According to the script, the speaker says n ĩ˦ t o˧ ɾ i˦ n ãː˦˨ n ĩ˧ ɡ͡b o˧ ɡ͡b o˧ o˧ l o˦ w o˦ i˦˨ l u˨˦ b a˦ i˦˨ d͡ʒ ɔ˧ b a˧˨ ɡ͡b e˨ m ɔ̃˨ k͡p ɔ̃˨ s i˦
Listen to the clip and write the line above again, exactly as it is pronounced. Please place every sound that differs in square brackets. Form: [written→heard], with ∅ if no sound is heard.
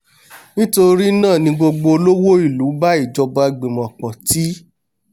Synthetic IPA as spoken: n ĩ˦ t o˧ ɾ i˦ n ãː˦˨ n ĩ˧ ɡ͡b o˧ ɡ͡b o˧ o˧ l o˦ w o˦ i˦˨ l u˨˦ b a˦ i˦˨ d͡ʒ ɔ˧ b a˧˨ ɡ͡b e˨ m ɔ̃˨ k͡p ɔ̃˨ [s→t] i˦

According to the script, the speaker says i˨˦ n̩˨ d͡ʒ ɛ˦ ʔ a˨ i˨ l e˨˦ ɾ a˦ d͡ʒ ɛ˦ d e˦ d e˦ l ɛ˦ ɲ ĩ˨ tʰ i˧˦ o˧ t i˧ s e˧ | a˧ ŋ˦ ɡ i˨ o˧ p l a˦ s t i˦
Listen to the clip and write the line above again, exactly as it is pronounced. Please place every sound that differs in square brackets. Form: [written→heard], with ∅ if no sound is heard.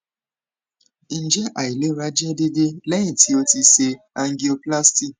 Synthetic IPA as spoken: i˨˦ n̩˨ d͡ʒ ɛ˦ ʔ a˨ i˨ l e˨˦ ɾ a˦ d͡ʒ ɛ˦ d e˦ d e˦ l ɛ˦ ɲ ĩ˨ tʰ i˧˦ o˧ t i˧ s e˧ | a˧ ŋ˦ ɡ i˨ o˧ p l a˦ s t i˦

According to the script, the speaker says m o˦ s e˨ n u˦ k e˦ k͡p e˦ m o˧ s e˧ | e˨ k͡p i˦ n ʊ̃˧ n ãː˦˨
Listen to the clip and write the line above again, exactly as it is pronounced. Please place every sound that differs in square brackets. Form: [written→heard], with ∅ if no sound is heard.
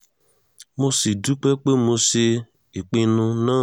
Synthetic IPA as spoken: m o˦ s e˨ [n→d] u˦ [k→k͡p] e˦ k͡p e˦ m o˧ s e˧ | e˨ k͡p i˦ n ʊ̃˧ n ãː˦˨

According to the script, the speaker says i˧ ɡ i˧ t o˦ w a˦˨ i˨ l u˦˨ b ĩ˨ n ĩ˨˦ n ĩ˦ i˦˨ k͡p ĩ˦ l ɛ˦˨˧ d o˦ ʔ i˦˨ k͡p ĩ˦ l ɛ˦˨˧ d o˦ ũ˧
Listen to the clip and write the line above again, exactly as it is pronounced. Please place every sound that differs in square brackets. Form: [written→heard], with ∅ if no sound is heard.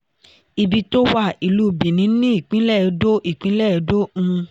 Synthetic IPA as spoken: i˧ [ɡ→b] i˧ t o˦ w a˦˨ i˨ l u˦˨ b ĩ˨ n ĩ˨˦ n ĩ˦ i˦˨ k͡p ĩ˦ l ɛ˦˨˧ d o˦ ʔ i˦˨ k͡p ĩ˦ l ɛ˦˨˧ d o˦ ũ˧

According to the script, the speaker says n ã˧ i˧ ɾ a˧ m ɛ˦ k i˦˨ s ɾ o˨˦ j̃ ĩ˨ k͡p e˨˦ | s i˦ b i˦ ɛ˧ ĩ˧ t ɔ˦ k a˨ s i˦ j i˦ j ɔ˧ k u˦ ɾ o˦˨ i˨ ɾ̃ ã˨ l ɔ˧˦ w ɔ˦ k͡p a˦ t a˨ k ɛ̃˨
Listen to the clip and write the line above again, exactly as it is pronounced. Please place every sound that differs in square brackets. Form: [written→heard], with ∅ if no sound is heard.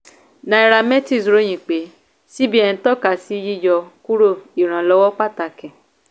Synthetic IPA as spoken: n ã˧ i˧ ɾ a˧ m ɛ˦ [k→t] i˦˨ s ɾ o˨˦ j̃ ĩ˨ k͡p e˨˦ | s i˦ b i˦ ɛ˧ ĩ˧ t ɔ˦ k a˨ s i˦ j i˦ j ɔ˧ k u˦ ɾ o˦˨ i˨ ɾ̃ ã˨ l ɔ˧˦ w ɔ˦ k͡p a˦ t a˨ k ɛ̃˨

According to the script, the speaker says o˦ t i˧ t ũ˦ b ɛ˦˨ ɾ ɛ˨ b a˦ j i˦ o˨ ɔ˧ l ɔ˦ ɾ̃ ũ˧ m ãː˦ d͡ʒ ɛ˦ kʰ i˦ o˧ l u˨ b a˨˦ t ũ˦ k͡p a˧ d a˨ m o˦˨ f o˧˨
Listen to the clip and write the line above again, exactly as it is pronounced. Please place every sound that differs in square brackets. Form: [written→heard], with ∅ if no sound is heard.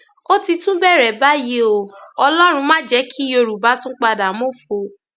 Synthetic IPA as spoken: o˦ t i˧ t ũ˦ b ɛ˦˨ ɾ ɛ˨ b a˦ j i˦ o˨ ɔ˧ l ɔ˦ ɾ̃ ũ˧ m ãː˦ d͡ʒ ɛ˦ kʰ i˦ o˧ [l→ɾ] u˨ b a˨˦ t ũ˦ k͡p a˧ d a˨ m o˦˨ f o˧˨

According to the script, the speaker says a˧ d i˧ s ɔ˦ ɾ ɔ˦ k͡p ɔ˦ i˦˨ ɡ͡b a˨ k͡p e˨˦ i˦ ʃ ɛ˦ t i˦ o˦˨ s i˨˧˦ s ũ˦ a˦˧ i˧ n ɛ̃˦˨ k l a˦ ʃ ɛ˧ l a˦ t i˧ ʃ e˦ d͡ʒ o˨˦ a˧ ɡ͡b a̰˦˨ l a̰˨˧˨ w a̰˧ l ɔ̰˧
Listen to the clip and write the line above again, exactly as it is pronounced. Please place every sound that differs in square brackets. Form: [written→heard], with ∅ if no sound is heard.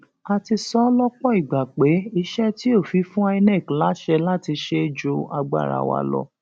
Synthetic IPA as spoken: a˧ [d→t] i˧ s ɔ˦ [ɾ→l] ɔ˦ k͡p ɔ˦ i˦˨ ɡ͡b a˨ k͡p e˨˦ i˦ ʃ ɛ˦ t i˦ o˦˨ [s→f] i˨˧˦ [s→f] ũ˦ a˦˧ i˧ n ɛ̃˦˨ k l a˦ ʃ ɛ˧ l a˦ t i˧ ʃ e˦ d͡ʒ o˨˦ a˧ ɡ͡b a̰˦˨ [l→ɾ] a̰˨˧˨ w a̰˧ l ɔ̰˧

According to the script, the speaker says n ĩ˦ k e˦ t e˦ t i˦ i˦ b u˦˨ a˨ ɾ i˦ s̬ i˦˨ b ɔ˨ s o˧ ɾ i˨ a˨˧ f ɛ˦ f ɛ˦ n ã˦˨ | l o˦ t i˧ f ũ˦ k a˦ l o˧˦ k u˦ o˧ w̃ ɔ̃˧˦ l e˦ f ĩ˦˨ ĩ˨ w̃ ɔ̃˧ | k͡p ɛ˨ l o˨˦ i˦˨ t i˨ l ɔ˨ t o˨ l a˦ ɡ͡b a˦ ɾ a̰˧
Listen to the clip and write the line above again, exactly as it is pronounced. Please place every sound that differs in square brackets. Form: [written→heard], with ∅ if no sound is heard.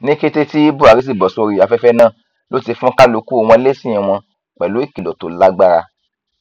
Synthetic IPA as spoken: n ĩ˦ k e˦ t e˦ t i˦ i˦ b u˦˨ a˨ ɾ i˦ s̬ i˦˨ b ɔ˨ s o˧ ɾ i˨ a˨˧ f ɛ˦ f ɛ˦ n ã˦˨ | l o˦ t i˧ f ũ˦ k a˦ l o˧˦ k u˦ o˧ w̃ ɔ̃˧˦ l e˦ [f→s] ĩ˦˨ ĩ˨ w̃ ɔ̃˧ | k͡p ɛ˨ l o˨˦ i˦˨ [t→k] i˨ l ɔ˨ t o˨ l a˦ ɡ͡b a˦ ɾ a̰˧

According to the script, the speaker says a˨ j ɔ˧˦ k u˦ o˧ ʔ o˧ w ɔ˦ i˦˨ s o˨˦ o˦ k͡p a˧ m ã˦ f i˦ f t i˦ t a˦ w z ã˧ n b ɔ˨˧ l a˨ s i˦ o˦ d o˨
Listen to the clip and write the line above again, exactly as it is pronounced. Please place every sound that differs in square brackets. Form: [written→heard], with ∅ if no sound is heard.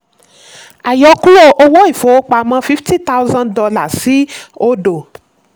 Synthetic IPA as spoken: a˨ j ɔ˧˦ k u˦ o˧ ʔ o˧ w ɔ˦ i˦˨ [s→f] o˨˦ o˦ k͡p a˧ m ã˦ f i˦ f t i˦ t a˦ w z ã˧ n [b→d] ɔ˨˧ l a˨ s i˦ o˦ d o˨

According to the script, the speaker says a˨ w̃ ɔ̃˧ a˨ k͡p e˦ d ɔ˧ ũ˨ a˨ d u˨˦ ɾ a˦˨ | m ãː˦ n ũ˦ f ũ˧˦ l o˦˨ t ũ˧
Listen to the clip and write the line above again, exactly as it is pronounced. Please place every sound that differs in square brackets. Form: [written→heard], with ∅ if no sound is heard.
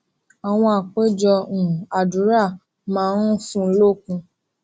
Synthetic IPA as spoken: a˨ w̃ ɔ̃˧ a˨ k͡p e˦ [d→d͡ʒ] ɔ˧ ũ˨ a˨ d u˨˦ ɾ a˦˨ | m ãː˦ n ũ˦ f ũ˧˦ l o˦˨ [t→k] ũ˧

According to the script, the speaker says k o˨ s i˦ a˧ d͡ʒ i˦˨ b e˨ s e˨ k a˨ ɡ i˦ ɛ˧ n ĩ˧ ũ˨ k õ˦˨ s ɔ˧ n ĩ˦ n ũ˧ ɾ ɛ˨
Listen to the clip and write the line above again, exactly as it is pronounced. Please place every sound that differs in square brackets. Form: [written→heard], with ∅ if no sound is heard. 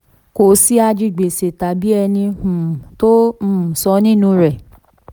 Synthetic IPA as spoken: k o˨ s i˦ a˧ d͡ʒ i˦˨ [b→ɡ͡b] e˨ s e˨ [k→t] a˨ [ɡ→b] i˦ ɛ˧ n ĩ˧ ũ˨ [k→t] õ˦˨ s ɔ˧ n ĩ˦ n ũ˧ ɾ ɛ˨

